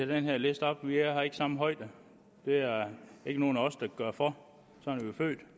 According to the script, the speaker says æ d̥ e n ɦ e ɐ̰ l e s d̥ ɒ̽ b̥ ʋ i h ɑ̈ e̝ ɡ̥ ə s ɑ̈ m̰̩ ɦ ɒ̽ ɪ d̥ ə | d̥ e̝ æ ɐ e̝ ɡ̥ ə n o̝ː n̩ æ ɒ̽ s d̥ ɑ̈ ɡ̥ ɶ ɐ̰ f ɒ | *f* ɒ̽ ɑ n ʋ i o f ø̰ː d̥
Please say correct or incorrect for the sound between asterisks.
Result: incorrect